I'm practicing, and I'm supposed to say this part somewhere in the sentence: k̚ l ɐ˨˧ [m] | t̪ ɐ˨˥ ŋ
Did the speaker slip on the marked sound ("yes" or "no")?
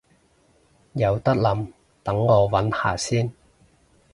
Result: no